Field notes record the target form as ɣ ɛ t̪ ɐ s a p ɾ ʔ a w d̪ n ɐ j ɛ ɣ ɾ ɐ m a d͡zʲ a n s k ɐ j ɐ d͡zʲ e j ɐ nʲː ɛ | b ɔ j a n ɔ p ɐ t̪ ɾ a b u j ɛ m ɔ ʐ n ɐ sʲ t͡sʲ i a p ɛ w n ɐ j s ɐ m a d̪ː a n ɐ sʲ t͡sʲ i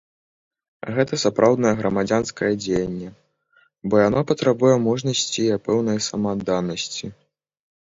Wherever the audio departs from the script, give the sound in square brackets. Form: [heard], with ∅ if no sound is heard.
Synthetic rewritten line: ɣ ɛ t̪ ɐ s a p ɾ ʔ a w d̪ n ɐ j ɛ ɣ ɾ ɐ m a d͡zʲ a n s k ɐ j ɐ d͡zʲ e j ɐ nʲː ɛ | b ɔ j a n ɔ p ɐ t̪ ɾ a b u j ɛ m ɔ ʐ n ɐ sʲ t͡sʲ i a p ɛ w n ɐ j s ɐ m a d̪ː a n ɐ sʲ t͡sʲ i